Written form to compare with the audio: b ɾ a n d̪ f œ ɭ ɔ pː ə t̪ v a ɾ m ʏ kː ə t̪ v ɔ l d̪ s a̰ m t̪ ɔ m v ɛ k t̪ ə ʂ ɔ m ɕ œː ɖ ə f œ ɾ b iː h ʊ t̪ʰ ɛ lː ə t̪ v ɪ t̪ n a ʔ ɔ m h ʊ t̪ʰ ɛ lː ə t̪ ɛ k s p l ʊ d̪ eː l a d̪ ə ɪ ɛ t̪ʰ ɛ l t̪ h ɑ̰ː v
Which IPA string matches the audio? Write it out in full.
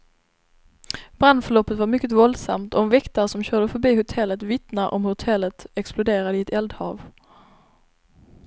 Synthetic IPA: b ɾ a n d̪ f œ ɭ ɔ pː ə t̪ v a ɾ m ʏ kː ə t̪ v ɔ l d̪ s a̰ m t̪ ɔ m v ɛ k t̪ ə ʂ ɔ m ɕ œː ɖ ə f œ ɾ b iː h ʊ t̪ʰ ɛ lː ə t̪ v ɪ t̪ n a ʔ ɔ m h ʊ t̪ʰ ɛ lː ə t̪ ɛ k s p l ʊ d̪ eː ɾ a d̪ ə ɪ ɛ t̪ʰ ɛ l d̪ h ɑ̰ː v